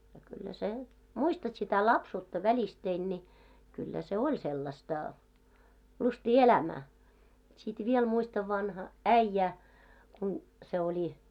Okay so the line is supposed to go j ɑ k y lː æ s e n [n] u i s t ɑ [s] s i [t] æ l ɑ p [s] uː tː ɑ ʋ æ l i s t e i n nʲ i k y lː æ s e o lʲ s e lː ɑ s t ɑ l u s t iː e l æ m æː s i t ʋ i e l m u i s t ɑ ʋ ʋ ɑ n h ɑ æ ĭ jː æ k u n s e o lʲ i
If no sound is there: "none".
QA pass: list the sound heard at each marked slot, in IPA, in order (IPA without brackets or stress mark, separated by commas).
m, t, t, s